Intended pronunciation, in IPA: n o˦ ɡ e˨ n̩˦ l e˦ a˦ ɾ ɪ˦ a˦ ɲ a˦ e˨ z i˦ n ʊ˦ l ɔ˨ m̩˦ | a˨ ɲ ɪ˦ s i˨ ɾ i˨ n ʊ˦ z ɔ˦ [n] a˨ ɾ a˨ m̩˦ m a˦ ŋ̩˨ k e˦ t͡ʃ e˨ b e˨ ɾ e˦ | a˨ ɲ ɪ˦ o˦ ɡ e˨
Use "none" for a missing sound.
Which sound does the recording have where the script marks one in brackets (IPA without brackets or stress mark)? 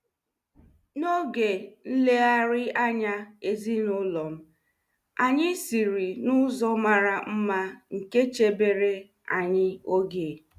m